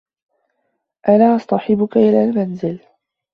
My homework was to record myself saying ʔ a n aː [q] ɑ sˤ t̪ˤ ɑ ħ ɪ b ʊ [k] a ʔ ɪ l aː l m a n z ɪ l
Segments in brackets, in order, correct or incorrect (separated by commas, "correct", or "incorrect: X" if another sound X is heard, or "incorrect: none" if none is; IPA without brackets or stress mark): incorrect: ʔ, correct